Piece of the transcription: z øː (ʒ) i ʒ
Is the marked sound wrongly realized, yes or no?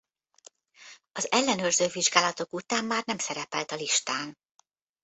yes